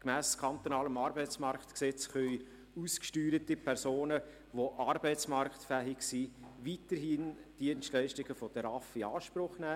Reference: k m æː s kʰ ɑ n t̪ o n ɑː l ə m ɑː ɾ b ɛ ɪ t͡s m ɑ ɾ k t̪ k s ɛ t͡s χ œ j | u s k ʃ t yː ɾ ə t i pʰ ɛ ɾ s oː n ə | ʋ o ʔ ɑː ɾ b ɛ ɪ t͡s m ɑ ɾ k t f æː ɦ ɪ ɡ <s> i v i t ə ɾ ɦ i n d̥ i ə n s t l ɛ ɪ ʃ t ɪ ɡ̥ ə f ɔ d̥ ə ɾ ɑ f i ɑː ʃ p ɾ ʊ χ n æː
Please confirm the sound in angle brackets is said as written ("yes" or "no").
yes